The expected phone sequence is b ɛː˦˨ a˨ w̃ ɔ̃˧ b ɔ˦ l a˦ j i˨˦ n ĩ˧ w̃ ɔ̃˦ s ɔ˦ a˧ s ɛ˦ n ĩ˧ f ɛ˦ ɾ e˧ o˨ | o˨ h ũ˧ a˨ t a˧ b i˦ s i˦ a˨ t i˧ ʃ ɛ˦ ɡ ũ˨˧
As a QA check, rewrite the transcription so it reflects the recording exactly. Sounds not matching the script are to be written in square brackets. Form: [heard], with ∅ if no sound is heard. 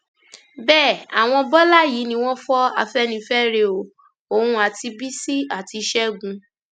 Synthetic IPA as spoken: b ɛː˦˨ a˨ w̃ ɔ̃˧ b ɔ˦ l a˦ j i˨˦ n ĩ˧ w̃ ɔ̃˦ [f] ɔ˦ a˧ [f] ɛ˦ n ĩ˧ f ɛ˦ ɾ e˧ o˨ | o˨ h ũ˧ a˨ t [i˧] b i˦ s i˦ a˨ t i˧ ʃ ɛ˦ ɡ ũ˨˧